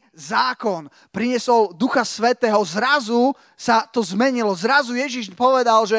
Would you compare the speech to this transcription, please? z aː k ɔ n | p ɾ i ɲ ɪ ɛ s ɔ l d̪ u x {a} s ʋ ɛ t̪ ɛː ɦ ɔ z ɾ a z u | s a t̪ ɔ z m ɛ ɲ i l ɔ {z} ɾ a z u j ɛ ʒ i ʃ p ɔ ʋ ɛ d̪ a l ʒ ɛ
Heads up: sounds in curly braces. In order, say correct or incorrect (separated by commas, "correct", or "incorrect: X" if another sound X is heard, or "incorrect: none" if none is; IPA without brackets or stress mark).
correct, correct